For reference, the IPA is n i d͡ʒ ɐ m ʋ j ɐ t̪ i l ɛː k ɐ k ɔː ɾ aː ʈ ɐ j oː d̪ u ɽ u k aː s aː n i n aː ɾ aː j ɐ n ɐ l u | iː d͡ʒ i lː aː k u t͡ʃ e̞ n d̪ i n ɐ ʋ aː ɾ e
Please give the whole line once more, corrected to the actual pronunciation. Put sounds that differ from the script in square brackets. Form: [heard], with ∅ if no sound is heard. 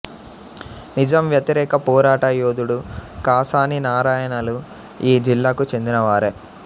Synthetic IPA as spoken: n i d͡ʒ ɐ m ʋ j ɐ t̪ i [ɾ] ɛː k ɐ [p] ɔː ɾ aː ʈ ɐ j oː d̪ u ɽ u k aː s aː n i n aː ɾ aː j ɐ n ɐ l u | iː d͡ʒ i lː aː k u t͡ʃ e̞ n d̪ i n ɐ ʋ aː ɾ e